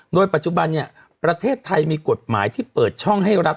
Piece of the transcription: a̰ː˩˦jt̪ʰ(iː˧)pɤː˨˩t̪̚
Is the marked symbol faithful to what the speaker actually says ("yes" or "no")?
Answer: no